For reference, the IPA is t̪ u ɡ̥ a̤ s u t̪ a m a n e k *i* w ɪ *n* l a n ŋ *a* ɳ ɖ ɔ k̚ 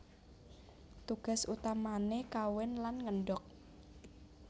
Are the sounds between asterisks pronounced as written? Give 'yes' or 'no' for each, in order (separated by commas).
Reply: no, yes, no